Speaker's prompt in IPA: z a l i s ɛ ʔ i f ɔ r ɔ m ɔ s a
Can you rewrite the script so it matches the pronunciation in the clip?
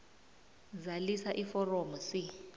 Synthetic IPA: z a l i s a ʔ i f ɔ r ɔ m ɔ s i